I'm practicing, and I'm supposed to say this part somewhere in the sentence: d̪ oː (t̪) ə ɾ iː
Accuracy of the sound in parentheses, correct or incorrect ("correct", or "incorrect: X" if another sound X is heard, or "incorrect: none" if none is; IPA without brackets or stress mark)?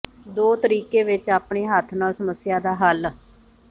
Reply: correct